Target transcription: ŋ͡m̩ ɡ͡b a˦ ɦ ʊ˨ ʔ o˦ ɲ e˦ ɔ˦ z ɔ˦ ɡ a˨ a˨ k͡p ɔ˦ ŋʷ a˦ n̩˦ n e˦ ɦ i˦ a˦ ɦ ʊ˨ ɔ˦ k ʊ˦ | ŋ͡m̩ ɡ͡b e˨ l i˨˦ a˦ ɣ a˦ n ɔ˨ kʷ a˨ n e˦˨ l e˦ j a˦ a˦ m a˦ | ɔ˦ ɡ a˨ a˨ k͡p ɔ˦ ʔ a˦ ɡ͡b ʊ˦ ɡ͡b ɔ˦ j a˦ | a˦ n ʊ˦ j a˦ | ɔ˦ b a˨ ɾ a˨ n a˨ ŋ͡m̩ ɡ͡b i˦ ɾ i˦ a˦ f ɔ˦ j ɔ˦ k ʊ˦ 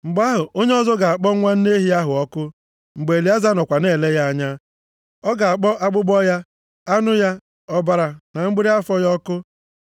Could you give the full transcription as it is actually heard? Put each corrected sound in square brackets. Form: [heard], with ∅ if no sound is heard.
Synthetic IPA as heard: ŋ͡m̩ ɡ͡b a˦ ɦ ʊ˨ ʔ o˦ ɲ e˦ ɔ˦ z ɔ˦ ɡ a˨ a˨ k͡p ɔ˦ ŋʷ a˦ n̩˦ n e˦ ɦ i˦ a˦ ɦ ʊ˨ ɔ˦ k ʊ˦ | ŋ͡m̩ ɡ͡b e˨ l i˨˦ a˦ [z] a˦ n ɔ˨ kʷ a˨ n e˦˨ l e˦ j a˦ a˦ [ɲ] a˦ | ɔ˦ ɡ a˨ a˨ k͡p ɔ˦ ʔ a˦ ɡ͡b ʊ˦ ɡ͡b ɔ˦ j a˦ | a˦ n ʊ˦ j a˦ | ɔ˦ b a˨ ɾ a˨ n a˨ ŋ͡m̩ ɡ͡b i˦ ɾ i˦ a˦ f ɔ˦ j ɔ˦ k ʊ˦